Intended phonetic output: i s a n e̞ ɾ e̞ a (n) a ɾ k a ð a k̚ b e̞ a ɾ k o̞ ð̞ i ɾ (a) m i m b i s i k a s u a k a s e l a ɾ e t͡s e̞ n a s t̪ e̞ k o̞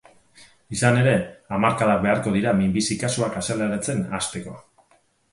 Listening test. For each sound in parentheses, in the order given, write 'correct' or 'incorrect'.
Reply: incorrect, correct

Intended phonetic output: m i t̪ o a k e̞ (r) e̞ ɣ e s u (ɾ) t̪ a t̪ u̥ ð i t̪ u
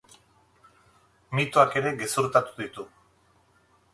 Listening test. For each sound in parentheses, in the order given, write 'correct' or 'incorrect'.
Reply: incorrect, correct

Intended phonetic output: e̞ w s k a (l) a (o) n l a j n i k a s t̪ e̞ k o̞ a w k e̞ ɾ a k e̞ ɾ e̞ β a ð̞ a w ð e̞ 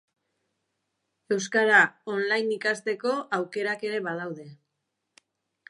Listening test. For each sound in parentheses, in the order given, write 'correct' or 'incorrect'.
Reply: incorrect, correct

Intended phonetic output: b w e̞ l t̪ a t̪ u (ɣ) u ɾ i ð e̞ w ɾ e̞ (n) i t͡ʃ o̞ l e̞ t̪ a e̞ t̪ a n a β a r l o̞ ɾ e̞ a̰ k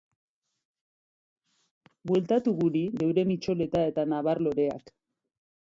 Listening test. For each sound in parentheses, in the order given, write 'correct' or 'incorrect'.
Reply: correct, incorrect

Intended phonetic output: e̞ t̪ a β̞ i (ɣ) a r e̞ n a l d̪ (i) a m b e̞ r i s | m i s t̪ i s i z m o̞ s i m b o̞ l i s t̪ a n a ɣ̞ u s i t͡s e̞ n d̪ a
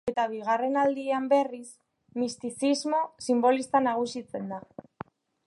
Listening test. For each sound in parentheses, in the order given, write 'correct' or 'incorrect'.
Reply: correct, correct

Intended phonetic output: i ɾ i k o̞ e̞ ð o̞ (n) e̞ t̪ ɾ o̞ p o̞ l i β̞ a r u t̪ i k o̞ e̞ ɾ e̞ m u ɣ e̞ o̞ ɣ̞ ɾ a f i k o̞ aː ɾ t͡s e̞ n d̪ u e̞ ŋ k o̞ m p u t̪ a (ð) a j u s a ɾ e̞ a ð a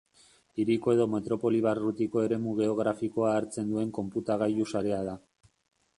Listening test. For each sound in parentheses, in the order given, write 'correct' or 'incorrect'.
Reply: incorrect, incorrect

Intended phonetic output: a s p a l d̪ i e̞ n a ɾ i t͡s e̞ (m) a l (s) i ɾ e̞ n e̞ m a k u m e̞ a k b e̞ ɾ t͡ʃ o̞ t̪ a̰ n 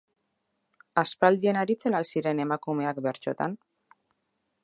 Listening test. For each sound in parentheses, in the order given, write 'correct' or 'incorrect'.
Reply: incorrect, correct

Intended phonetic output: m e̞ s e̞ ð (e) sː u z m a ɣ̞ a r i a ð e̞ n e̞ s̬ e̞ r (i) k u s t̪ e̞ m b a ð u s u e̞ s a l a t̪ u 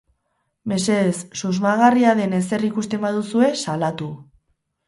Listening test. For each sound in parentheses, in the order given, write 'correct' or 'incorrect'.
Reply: correct, correct

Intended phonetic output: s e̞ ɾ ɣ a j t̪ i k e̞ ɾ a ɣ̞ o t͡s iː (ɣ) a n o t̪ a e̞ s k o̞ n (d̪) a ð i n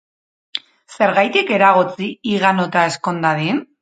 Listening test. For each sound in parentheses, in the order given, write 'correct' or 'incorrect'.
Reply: correct, correct

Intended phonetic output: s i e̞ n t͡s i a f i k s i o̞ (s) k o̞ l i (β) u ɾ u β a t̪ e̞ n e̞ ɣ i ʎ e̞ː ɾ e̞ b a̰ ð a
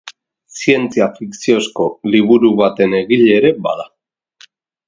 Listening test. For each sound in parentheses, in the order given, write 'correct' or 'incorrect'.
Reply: correct, correct

